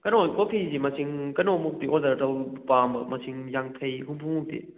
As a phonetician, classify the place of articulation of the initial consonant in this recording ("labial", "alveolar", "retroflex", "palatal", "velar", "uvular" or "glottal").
velar